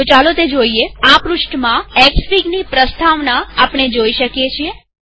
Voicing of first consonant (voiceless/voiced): voiceless